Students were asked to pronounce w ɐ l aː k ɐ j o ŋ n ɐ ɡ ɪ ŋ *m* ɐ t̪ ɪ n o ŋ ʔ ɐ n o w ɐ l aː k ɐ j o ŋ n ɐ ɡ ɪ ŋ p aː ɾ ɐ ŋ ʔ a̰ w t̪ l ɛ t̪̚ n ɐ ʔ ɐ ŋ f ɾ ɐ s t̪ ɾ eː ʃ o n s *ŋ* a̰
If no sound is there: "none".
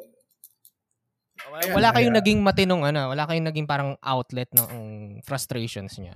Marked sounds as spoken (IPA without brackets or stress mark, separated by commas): m, ɲ